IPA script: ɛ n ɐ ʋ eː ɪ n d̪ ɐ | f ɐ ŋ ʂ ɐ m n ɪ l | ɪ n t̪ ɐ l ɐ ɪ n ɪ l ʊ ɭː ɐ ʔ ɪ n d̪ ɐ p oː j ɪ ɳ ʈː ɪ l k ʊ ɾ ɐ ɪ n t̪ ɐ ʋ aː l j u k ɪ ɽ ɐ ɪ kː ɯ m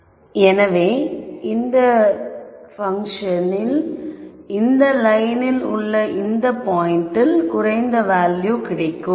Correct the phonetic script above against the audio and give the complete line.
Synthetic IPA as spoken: ɛ n ɐ ʋ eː ɪ n d̪ ɐ | f ɐ ŋ ʂ ɐ n ɪ l | ɪ n d̪ ɐ l ɐ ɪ n ɪ l ʊ ɭː ɐ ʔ ɪ n d̪ ɐ p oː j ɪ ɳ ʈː ɪ l k ʊ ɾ ɐ ɪ n d̪ ɐ ʋ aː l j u k ɪ ɽ ɐ ɪ kː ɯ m